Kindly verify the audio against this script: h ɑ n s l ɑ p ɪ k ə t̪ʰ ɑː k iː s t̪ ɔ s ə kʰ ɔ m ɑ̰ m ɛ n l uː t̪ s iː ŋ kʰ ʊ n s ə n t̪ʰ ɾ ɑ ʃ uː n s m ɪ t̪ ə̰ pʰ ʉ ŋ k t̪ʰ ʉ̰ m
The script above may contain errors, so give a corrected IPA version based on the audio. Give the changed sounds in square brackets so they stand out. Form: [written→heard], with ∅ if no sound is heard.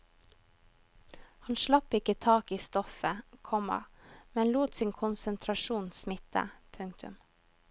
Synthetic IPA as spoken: h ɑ n [s→ʃ] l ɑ p ɪ k ə t̪ʰ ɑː k iː s t̪ ɔ [s→f] ə kʰ ɔ m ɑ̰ m ɛ n l uː t̪ s iː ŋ kʰ ʊ n s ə n t̪ʰ ɾ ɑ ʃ uː n s m ɪ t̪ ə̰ pʰ ʉ ŋ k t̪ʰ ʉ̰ m